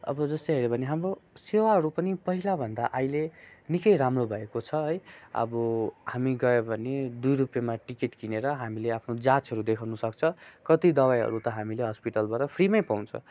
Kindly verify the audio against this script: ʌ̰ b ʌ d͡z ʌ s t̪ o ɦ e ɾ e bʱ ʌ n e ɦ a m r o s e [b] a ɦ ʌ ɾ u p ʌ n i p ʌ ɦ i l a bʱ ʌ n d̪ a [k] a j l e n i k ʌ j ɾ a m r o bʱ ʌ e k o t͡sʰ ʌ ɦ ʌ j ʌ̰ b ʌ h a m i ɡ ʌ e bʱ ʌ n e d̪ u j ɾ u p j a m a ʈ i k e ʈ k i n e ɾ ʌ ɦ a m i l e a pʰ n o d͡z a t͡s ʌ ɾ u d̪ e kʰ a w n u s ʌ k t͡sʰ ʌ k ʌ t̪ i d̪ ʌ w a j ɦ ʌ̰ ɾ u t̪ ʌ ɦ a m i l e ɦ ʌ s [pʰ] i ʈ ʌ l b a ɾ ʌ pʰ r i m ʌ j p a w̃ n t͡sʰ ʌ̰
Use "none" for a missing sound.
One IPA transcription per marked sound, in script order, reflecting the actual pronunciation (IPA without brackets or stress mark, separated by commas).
w, ʔ, p